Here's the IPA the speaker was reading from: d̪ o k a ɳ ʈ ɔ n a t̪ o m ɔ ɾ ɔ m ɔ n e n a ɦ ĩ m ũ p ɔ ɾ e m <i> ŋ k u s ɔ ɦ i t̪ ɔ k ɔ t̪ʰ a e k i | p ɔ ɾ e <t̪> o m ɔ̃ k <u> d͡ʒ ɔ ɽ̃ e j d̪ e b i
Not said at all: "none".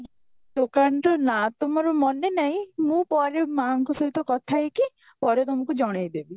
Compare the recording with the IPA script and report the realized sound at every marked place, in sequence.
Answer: a, t̪, u

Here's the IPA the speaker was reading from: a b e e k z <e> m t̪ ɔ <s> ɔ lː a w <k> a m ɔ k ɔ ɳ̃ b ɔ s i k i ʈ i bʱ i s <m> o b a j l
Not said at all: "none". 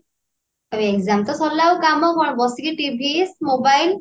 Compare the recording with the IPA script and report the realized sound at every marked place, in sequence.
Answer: a, s, k, m

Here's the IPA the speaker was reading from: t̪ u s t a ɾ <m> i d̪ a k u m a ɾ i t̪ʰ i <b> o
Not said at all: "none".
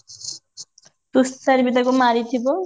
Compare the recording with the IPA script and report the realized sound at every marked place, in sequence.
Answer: b, b

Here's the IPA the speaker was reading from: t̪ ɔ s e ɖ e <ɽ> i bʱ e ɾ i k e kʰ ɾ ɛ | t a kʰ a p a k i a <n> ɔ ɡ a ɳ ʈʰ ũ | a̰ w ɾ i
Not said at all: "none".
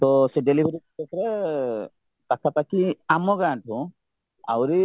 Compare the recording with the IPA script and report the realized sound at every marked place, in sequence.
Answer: l, m

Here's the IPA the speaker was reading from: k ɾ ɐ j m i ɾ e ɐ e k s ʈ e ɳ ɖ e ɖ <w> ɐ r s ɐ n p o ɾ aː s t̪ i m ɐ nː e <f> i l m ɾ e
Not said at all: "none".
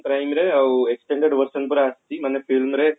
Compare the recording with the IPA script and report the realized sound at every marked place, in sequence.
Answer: ʋ, f

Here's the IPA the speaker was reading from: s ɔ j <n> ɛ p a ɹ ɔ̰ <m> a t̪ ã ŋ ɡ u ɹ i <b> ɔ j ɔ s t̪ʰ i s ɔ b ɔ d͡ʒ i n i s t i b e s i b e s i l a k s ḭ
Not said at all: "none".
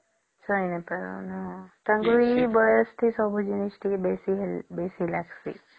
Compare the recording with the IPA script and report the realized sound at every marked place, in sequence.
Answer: n, n, b

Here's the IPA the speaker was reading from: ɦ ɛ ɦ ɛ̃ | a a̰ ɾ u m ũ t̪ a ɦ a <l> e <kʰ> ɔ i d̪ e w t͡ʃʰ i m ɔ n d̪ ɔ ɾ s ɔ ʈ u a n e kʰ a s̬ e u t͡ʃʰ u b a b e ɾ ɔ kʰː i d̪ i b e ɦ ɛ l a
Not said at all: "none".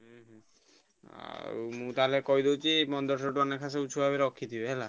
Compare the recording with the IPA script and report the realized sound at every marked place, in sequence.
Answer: l, k

